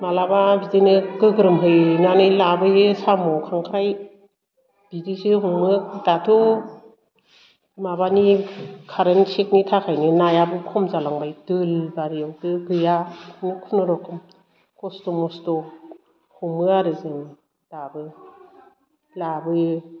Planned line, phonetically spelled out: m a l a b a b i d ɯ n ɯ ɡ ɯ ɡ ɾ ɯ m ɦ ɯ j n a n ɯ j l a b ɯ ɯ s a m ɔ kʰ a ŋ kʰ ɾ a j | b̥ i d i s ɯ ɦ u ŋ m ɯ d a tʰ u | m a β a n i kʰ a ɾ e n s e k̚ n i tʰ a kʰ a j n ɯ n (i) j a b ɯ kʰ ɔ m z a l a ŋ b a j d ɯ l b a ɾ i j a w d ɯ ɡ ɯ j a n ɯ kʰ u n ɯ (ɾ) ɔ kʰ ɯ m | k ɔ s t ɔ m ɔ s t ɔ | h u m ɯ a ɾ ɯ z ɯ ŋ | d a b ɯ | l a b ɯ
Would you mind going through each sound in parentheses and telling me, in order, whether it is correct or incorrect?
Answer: incorrect: a, correct

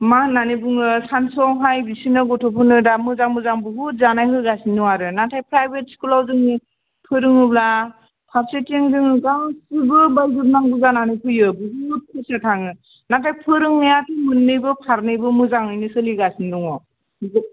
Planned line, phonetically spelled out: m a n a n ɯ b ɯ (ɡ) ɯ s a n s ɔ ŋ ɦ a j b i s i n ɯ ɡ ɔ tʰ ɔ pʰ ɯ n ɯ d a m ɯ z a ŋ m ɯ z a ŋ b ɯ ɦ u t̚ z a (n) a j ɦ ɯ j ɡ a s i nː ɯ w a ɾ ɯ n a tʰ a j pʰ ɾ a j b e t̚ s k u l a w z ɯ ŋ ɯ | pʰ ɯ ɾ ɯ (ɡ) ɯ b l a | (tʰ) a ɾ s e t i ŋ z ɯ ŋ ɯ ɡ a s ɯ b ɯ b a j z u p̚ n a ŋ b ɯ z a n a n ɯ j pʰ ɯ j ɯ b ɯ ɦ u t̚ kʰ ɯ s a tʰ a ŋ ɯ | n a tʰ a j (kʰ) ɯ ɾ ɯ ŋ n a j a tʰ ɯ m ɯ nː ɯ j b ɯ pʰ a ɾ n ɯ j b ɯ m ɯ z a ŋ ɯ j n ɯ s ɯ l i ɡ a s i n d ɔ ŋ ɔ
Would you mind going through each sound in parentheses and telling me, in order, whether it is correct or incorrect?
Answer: incorrect: ŋ, correct, incorrect: ŋ, incorrect: pʰ, incorrect: pʰ

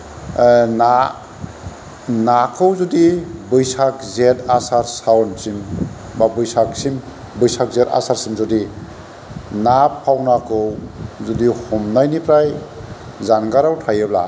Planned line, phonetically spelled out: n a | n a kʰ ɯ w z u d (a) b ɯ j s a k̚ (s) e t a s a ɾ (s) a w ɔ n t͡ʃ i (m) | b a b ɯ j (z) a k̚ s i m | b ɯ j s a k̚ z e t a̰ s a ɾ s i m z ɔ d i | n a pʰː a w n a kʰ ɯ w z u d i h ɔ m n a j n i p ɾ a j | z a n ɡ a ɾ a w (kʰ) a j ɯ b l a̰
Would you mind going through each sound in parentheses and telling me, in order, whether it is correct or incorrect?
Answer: incorrect: i, incorrect: z, correct, correct, incorrect: s, incorrect: tʰ

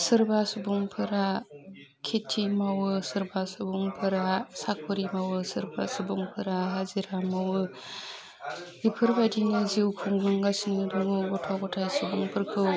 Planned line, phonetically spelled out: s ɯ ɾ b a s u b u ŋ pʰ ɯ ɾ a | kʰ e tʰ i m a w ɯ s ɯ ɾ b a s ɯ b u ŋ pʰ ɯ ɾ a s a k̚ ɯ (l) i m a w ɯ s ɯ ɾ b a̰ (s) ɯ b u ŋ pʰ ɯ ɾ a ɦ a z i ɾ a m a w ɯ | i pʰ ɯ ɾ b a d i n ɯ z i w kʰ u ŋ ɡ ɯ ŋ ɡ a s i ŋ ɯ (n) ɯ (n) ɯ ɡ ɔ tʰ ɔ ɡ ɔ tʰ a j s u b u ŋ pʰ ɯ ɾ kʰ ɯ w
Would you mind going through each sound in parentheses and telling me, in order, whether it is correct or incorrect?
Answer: incorrect: ɾ, correct, incorrect: d, incorrect: ŋ

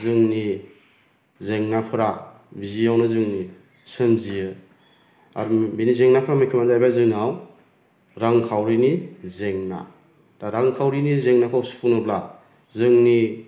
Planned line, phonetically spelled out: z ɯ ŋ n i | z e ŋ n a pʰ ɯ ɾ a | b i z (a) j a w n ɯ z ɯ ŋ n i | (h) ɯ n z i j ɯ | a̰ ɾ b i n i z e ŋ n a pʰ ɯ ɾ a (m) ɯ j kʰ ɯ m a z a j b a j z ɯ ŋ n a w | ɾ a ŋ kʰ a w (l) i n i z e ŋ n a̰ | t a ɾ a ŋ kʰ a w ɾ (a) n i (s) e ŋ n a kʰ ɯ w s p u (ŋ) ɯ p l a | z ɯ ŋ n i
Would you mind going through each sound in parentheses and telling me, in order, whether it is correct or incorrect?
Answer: incorrect: i, incorrect: s, correct, incorrect: ɾ, incorrect: i, incorrect: z, incorrect: n

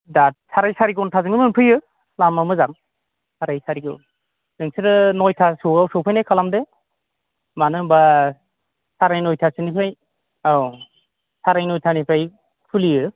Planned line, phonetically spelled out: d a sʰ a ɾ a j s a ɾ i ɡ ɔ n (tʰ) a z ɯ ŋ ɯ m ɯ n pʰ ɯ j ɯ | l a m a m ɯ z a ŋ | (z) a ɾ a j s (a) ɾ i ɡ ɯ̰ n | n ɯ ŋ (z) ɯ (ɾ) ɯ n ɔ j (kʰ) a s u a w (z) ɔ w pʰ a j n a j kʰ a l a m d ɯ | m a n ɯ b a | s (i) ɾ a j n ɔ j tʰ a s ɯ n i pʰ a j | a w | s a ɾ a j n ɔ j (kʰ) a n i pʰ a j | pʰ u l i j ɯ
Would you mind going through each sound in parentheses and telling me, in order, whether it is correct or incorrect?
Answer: correct, incorrect: s, correct, incorrect: s, correct, incorrect: tʰ, incorrect: s, incorrect: a, incorrect: tʰ

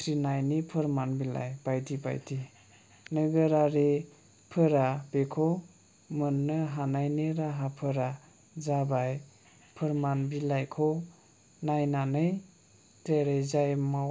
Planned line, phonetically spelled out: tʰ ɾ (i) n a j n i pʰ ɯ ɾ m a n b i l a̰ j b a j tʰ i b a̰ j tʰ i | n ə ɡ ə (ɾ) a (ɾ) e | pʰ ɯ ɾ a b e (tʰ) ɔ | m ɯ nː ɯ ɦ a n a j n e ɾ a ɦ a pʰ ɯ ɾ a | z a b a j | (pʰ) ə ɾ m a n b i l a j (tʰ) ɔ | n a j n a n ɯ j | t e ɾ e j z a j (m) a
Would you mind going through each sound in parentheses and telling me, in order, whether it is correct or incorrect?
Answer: correct, correct, correct, incorrect: kʰ, correct, incorrect: kʰ, correct

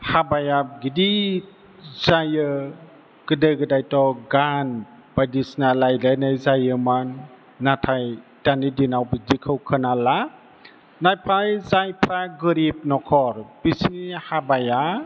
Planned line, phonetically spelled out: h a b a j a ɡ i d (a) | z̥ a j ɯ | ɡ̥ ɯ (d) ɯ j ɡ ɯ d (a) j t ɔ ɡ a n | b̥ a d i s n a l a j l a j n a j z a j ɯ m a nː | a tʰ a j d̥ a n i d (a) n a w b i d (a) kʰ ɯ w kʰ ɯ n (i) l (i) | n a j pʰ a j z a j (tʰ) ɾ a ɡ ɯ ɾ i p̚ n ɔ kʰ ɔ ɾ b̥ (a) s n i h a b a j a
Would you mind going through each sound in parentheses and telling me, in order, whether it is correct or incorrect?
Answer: incorrect: i, correct, correct, incorrect: i, incorrect: i, incorrect: a, incorrect: a, incorrect: pʰ, incorrect: i

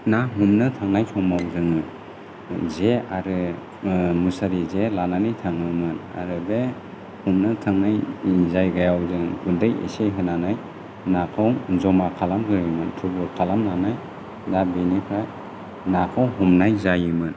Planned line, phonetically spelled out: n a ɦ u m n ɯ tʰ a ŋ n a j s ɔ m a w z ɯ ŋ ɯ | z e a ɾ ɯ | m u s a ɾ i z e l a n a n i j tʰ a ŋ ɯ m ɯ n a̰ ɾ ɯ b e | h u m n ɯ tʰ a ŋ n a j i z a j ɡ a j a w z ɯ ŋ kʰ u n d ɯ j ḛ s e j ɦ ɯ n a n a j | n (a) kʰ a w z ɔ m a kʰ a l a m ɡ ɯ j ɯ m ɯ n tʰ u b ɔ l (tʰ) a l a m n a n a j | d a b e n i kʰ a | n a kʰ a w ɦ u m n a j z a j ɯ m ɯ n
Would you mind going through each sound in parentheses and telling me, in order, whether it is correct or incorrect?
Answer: correct, incorrect: kʰ

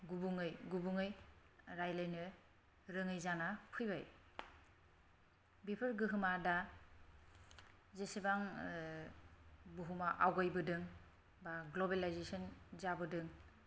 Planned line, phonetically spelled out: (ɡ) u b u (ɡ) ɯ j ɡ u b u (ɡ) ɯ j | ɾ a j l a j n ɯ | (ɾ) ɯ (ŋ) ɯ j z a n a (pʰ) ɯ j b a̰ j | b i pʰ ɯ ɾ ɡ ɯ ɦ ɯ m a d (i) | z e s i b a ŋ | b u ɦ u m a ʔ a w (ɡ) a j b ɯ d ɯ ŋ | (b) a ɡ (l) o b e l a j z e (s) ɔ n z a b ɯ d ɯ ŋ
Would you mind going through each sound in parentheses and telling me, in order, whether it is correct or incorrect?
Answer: correct, incorrect: ŋ, incorrect: ŋ, correct, correct, correct, incorrect: a, correct, correct, correct, correct

